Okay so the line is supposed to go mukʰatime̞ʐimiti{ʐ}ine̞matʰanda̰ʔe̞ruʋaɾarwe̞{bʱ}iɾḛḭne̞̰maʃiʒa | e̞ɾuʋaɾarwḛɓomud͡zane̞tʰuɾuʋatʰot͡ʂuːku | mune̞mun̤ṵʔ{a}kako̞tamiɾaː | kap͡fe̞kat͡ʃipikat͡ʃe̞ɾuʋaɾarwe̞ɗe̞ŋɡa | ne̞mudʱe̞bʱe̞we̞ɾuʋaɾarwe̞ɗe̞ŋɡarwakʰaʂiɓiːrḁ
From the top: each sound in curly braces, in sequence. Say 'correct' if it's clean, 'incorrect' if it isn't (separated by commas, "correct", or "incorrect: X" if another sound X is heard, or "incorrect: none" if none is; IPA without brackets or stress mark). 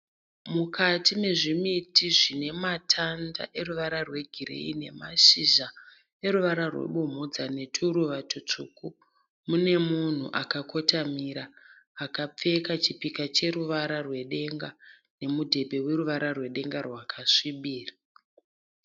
correct, incorrect: ɡʱ, correct